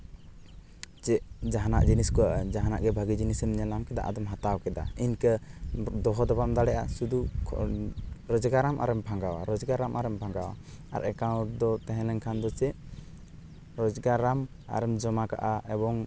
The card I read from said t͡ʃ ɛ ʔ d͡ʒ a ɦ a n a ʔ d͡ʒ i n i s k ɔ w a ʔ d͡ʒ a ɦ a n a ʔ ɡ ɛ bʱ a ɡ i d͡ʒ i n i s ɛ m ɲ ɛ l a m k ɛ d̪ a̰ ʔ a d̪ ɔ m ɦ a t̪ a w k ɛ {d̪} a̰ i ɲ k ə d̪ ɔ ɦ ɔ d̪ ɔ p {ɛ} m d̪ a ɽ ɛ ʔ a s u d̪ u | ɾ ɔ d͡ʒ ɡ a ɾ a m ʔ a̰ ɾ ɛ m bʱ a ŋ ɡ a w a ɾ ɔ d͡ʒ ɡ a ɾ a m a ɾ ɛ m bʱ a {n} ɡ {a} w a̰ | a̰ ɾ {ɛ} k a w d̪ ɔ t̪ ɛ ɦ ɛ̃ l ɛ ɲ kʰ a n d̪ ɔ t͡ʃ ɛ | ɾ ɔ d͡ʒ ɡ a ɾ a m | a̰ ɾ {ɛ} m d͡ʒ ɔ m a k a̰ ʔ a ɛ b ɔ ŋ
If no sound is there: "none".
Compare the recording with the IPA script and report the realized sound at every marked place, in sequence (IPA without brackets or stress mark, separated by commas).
d̪, a, ŋ, a, ɛ, ɛ